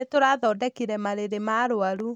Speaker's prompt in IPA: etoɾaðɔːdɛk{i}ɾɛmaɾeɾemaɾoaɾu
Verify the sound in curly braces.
correct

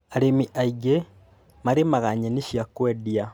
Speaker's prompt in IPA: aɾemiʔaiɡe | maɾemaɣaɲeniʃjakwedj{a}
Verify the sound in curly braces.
correct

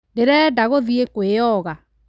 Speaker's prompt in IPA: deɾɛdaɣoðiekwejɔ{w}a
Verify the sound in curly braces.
incorrect: ɣ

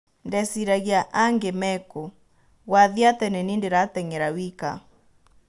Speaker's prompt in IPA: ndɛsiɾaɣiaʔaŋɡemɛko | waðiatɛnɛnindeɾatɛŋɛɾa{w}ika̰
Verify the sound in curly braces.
correct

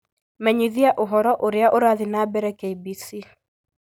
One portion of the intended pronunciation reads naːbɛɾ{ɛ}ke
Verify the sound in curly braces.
correct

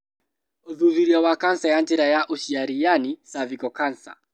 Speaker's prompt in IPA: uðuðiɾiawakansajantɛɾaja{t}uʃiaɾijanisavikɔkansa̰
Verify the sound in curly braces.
incorrect: ʔ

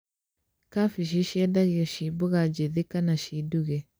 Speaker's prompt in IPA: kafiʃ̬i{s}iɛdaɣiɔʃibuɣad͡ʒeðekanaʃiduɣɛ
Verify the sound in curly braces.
incorrect: ʃ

